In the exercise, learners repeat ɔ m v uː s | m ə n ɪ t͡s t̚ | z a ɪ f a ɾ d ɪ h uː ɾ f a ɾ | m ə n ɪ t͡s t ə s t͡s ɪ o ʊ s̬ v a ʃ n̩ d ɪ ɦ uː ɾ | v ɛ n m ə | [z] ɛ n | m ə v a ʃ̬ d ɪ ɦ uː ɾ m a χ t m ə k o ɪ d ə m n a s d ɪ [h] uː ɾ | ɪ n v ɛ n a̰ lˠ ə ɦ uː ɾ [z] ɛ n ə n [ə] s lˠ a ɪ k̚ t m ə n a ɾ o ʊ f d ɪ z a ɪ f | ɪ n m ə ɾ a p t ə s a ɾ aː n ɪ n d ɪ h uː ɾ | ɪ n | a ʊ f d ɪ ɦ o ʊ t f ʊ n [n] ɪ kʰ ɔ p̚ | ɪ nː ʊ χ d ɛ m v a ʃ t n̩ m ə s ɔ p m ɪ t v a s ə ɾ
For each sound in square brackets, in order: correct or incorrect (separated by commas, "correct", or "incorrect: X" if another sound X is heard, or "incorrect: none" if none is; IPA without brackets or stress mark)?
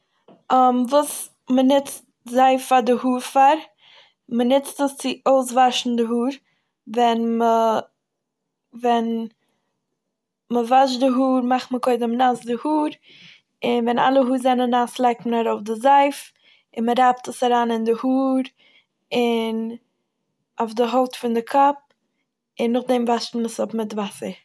incorrect: v, correct, correct, incorrect: a, incorrect: d